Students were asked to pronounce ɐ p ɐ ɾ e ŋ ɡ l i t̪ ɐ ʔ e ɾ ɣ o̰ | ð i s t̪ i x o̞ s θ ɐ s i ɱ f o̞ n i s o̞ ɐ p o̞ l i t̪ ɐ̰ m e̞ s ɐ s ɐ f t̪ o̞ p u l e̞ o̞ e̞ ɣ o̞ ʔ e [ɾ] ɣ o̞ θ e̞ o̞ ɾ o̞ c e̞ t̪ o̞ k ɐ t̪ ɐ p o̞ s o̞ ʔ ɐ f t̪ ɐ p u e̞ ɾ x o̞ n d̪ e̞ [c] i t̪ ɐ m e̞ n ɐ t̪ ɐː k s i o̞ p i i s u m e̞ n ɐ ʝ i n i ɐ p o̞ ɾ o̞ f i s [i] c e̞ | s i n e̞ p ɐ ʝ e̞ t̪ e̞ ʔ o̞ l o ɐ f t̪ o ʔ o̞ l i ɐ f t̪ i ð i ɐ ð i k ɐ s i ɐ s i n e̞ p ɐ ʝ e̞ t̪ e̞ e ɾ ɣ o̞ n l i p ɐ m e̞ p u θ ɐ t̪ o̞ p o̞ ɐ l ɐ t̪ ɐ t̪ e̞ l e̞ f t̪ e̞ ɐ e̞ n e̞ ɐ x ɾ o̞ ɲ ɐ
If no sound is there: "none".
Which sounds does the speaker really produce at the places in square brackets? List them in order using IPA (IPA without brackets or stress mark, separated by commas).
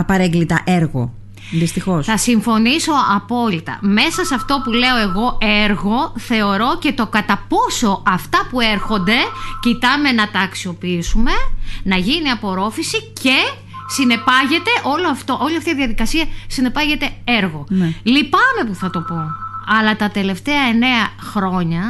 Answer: ɾ, c, i